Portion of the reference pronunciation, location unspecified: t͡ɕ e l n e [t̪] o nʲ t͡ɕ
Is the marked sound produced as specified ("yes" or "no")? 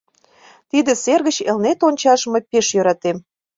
yes